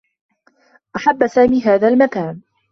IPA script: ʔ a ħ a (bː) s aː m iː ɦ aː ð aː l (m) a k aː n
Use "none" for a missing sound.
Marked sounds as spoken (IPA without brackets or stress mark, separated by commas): bː, m